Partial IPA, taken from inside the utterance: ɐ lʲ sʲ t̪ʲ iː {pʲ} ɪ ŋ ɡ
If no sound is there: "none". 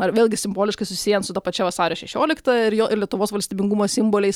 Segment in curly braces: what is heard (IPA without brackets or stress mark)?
bʲ